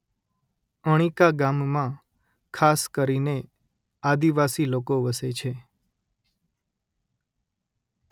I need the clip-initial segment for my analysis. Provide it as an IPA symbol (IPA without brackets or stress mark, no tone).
ə